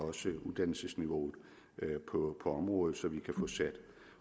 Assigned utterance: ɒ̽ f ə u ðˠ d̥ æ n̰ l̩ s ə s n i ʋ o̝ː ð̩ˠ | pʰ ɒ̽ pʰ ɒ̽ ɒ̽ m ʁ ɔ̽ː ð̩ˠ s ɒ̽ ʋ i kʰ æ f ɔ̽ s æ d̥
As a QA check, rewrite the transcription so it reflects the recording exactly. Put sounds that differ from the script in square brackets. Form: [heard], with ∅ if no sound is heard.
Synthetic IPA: ɒ̽ [s] ə u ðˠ d̥ æ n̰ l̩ s ə s n i ʋ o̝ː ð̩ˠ | pʰ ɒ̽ pʰ ɒ̽ ɒ̽ m ʁ ɔ̽ː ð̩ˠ s ɒ̽ ʋ i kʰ æ f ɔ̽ s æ d̥